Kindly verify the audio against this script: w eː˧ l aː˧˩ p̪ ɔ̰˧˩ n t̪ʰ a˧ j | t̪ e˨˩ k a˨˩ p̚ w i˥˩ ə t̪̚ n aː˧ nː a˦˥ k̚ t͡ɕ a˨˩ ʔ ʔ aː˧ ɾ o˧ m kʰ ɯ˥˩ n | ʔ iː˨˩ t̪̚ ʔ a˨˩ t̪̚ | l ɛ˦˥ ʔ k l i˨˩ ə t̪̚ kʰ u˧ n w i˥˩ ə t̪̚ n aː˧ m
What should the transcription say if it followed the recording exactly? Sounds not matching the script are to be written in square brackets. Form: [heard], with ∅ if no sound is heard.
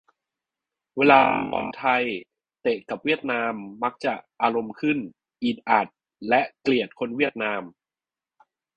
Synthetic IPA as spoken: w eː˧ l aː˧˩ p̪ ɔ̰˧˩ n t̪ʰ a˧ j | t̪ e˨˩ k a˨˩ p̚ w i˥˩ ə t̪̚ n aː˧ [mː] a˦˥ k̚ t͡ɕ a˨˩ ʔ ʔ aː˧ ɾ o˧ m kʰ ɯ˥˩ n | ʔ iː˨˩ t̪̚ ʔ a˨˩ t̪̚ | l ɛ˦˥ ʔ k l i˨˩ ə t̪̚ kʰ [o˧] n w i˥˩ ə t̪̚ n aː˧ m